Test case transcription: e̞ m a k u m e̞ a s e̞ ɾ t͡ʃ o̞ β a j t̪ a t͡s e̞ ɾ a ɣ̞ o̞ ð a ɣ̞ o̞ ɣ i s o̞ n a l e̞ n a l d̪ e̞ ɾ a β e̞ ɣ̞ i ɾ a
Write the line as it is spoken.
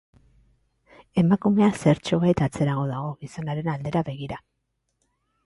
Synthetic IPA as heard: e̞ m a k u m e̞ a s e̞ ɾ t͡ʃ o̞ β a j t̪ a t͡s e̞ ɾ a ɣ̞ o̞ ð a ɣ̞ o̞ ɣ i s o̞ n a ɾ e̞ n a l d̪ e̞ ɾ a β e̞ ɣ̞ i ɾ a